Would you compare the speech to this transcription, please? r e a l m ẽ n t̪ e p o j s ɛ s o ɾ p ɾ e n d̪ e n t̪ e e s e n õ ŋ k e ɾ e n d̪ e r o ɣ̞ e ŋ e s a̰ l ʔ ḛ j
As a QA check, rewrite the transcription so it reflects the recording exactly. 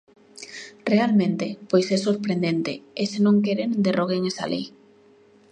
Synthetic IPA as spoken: r e a l m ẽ n t̪ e p o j s ɛ s o ɾ p ɾ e n d̪ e n t̪ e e s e n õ ŋ k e ɾ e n d̪ e r o ɣ̞ e ŋ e s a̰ l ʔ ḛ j